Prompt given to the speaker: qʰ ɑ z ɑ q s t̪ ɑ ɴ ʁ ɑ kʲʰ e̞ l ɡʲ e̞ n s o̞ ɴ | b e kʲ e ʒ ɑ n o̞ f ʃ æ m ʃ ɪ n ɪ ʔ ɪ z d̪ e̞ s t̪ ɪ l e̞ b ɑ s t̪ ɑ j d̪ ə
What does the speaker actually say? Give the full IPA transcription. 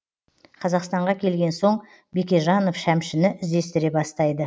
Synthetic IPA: qʰ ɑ z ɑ q s t̪ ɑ ɴ ʁ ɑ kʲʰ e̞ l ɡʲ e̞ n s o̞ ɴ | b e kʲ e ʒ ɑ n o̞ f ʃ æ m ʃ ɪ n ɪ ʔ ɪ z d̪ e̞ s t̪ ɪ ɾ e̞ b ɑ s t̪ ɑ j d̪ ə